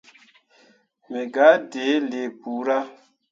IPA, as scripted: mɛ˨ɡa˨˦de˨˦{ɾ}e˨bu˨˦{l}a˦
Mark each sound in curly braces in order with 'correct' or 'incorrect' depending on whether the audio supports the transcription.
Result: incorrect, incorrect

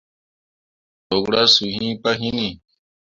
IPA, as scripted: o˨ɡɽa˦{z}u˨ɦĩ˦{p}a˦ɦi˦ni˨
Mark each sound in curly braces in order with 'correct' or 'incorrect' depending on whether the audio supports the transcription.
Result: incorrect, correct

